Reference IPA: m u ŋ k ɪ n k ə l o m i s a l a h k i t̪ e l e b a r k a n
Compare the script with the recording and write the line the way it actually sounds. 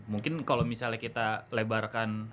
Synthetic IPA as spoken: m u ŋ k ɪ n k a l o m i s a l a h k i t̪ a l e b a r k a n